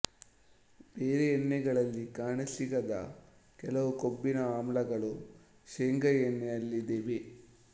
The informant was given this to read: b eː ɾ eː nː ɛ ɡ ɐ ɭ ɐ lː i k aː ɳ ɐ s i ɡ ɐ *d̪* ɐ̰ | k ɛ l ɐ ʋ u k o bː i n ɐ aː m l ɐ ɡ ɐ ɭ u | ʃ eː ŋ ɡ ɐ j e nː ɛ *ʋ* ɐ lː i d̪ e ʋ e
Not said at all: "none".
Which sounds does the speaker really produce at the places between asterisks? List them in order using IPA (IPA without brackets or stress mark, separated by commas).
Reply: d̪, none